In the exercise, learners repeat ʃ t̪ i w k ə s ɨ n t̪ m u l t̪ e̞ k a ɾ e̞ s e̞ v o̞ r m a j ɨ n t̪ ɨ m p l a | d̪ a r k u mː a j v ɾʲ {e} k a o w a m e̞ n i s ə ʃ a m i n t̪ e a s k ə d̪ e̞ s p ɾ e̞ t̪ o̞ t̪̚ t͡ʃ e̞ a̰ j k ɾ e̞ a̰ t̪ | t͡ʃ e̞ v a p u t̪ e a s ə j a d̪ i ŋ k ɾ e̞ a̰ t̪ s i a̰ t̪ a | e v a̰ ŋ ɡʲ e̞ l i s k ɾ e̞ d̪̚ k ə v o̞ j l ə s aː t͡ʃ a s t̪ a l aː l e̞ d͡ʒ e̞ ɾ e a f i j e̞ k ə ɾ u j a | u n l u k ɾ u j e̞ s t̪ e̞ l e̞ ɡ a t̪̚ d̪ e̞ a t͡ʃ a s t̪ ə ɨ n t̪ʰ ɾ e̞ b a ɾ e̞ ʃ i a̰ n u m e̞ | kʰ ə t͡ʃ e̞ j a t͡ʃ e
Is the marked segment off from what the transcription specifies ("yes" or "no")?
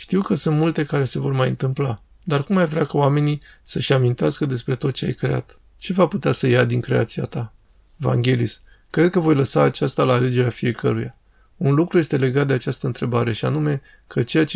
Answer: yes